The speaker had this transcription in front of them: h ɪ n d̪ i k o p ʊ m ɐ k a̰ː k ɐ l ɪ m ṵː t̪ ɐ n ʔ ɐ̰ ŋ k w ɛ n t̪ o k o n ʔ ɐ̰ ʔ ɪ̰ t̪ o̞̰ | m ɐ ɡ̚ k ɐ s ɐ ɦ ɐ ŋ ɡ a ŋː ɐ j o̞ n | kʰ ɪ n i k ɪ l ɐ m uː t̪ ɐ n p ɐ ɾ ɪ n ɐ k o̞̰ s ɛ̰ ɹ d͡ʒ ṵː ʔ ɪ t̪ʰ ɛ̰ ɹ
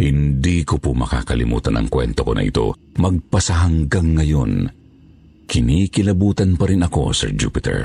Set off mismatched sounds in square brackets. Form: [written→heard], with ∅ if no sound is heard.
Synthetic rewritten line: h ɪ n d̪ i k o p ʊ m ɐ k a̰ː k ɐ l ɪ m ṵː t̪ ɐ n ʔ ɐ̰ ŋ k w ɛ n t̪ o k o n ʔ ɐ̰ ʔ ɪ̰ t̪ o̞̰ | m ɐ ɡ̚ [k→p] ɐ s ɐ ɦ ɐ ŋ ɡ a ŋː ɐ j o̞ n | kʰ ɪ n i k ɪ l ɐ [m→b] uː t̪ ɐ n p ɐ ɾ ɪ n ɐ k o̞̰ s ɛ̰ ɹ d͡ʒ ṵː [ʔ→p] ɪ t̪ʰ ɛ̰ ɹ